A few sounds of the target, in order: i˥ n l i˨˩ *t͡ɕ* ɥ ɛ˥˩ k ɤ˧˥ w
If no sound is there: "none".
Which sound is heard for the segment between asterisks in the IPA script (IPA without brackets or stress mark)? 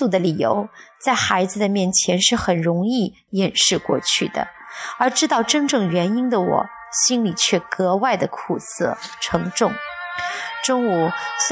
t͡ɕʰ